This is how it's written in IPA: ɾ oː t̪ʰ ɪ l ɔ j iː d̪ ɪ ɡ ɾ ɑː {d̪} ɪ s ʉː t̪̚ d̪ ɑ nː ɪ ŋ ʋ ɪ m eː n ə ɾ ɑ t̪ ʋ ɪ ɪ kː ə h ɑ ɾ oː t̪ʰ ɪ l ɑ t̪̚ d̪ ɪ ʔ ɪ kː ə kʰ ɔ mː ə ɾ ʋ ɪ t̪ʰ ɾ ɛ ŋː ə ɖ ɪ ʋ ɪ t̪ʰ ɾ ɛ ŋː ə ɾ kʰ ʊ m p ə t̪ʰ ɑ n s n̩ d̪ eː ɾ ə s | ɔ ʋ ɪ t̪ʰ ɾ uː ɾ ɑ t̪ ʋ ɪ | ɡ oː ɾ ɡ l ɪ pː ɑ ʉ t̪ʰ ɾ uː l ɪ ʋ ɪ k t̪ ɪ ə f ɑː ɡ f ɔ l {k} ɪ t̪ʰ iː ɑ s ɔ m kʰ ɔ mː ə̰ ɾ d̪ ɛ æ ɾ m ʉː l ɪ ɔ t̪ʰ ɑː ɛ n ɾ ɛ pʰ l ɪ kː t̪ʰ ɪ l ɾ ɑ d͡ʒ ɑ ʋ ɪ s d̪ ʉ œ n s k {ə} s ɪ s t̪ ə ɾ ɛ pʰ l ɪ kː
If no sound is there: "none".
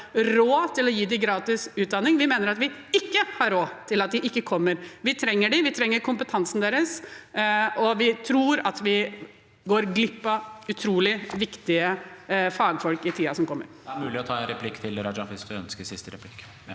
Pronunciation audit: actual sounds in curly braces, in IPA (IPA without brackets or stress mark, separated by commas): t̪, k, ə